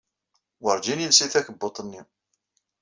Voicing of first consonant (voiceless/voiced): voiced